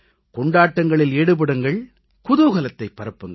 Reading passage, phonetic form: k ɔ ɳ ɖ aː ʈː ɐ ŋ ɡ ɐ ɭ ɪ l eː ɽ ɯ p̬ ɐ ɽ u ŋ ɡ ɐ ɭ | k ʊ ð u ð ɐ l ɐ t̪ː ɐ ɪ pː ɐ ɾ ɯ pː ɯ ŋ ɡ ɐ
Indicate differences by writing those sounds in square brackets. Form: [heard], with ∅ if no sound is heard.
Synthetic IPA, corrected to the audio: k ɔ ɳ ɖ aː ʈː ɐ ŋ ɡ ɐ ɭ ɪ l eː ɽ ɯ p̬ ɐ ɽ [ɯ] ŋ ɡ ɐ ɭ | k ʊ ð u [ɣ] ɐ l ɐ t̪ː ɐ ɪ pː ɐ ɾ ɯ pː ɯ ŋ ɡ ɐ